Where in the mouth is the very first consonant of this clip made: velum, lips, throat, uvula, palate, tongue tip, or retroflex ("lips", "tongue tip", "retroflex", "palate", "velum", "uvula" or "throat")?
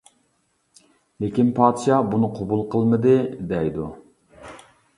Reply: tongue tip